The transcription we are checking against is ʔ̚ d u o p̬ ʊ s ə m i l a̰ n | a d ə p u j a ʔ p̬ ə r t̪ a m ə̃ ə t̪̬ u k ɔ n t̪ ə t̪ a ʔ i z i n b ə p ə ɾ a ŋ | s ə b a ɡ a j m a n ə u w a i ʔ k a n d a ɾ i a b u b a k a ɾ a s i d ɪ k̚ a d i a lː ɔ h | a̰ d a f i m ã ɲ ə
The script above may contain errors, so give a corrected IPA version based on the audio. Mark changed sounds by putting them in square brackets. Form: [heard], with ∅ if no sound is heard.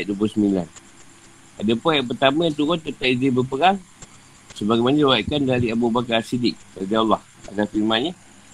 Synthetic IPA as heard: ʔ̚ d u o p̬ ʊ s ə m i l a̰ n | a d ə p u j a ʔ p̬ ə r t̪ a m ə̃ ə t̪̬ u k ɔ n t̪ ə t̪ a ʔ i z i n b ə p ə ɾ a ŋ | s ə b a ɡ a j m a n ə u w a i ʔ k a n d a ɾ i a b u b a k a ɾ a s i d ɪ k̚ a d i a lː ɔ h | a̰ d a f i m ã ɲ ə